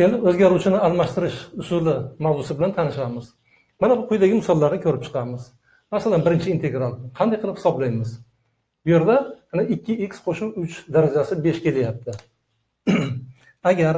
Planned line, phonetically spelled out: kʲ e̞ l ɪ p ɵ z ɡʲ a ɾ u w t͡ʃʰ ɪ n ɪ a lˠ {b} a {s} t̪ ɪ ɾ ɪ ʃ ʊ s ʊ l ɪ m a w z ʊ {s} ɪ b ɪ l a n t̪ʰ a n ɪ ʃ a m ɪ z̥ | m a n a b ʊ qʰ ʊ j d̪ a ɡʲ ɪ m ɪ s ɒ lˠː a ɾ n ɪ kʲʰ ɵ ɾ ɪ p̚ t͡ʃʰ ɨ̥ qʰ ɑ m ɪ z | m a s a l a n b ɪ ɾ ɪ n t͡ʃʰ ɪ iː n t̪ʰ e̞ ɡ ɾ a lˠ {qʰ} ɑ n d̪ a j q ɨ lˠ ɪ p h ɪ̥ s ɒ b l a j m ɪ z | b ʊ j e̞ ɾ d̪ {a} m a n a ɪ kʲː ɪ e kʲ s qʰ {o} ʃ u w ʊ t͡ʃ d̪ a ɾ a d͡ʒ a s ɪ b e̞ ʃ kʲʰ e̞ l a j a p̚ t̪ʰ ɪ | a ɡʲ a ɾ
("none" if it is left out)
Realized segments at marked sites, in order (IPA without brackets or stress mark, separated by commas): m, ʃ, s, qʰ, a, o